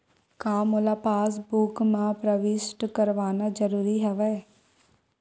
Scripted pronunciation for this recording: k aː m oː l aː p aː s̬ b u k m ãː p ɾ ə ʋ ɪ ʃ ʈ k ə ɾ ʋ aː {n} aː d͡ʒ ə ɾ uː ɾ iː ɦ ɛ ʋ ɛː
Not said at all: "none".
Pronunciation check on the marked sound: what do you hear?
n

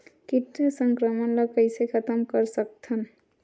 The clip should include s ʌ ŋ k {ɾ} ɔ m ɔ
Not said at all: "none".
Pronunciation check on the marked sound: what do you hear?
ɾ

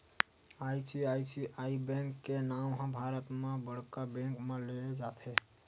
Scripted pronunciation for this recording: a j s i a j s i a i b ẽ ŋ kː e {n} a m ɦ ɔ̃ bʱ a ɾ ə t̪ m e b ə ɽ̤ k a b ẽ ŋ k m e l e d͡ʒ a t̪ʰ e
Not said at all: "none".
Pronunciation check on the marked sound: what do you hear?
n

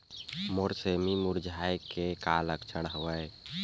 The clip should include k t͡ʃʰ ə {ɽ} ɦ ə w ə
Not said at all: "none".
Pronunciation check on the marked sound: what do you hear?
ɽ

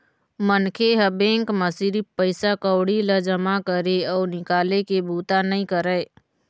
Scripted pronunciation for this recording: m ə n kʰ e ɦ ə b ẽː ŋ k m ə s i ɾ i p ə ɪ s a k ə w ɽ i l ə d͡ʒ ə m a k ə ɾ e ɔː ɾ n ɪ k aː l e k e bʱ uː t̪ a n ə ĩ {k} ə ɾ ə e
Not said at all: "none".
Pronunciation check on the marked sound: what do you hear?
k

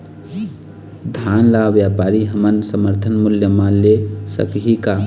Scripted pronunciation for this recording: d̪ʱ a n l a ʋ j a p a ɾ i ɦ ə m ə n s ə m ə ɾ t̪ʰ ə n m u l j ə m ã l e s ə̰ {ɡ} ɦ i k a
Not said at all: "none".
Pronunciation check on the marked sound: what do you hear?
k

